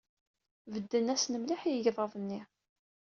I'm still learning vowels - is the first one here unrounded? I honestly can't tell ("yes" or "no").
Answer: yes